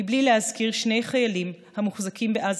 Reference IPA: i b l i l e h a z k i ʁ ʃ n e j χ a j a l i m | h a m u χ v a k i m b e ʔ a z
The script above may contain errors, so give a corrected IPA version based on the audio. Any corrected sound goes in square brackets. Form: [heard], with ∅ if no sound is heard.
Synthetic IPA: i b l i l e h a z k i ʁ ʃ n e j χ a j a l i m | h a m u χ [z] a k i m b e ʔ a z